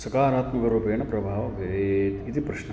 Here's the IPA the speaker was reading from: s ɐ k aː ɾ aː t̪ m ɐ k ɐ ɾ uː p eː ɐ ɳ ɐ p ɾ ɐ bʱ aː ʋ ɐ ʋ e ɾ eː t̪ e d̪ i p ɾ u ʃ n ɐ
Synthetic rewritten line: s ɐ k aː ɾ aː t̪ m ɐ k ɐ ɾ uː p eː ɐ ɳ ɐ p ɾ ɐ bʱ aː ʋ ɐ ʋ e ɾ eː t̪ i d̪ i p ɾ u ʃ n ɐ